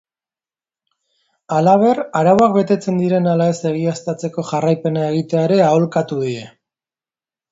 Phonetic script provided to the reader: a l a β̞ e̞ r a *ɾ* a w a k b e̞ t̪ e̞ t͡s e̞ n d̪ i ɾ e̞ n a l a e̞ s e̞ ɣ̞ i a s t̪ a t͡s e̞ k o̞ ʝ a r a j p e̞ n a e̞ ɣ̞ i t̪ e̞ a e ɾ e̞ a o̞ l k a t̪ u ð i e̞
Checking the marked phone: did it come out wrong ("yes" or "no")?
no